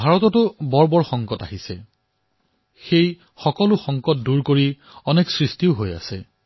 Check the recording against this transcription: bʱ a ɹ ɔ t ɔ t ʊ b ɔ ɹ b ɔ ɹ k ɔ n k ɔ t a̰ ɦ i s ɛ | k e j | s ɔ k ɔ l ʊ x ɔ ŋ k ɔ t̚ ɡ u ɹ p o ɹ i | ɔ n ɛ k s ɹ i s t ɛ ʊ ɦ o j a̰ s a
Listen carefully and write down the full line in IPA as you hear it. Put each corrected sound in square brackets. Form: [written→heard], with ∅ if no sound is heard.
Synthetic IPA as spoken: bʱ a ɹ ɔ t ɔ t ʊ b ɔ ɹ b ɔ ɹ [k→x] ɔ [n→ŋ] k ɔ t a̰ ɦ i s ɛ | [k→x] e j | [s→x] ɔ k ɔ l ʊ x ɔ ŋ k ɔ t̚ [ɡ→d] u ɹ [p→k] o ɹ i | ɔ n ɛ k s ɹ i s t [ɛ→i] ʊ ɦ o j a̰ s [a→ɛ]